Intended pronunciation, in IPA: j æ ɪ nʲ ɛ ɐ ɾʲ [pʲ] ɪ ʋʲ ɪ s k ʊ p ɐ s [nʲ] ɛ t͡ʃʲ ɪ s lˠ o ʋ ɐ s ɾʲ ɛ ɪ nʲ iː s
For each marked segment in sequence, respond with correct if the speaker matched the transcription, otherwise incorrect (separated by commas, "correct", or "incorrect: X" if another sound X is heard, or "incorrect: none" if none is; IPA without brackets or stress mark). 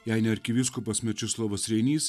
incorrect: kʲ, incorrect: mʲ